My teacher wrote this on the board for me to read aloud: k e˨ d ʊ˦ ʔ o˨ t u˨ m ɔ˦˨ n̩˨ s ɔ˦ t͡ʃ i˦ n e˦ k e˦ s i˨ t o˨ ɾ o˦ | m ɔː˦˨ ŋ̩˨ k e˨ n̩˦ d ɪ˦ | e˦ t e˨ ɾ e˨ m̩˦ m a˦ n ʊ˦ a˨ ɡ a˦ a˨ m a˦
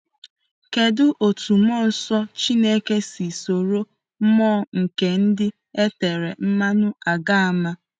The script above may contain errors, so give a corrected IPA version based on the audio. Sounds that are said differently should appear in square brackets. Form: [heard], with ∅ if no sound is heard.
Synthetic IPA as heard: k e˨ d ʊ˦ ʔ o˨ t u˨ m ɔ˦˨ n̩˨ s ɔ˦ t͡ʃ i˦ n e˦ k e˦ s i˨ [s] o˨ ɾ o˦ | m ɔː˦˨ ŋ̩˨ k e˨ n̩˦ d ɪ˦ | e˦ t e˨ ɾ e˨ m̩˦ m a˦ n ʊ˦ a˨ ɡ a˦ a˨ m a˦